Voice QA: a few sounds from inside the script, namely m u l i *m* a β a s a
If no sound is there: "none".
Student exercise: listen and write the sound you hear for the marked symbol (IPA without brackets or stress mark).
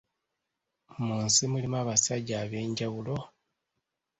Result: m